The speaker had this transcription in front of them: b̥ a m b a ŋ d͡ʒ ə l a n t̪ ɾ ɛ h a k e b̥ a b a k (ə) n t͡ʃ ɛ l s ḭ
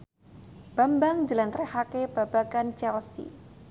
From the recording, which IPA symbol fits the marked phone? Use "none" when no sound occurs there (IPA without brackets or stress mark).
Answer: a